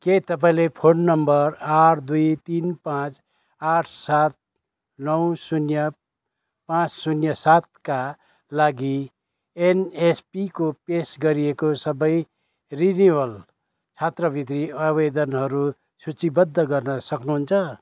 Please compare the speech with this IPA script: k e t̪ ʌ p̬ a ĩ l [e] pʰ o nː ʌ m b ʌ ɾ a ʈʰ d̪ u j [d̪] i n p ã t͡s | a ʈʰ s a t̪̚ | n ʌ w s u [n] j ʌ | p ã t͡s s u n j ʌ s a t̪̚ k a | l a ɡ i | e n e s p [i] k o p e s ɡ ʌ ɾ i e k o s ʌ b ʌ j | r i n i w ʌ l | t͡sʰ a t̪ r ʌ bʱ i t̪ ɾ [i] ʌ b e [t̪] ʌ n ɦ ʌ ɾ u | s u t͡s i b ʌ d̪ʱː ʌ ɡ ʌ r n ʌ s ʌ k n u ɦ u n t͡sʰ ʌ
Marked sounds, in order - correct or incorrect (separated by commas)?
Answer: correct, incorrect, correct, correct, correct, incorrect